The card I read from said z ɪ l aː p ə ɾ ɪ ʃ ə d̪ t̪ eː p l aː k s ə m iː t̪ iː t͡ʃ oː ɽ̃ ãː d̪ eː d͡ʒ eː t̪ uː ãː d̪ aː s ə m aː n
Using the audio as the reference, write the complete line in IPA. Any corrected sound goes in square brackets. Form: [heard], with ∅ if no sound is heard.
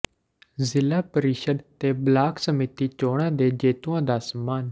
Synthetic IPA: z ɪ l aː p ə ɾ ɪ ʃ ə d̪ t̪ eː [b] l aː k s ə m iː t̪ iː t͡ʃ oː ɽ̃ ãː d̪ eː d͡ʒ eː t̪ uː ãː d̪ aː s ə m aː n